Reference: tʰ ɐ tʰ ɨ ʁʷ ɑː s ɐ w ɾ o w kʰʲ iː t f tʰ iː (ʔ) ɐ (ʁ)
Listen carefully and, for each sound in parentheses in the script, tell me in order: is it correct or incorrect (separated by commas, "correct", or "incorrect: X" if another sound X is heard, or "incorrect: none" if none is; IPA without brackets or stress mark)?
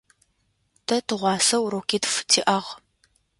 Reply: correct, correct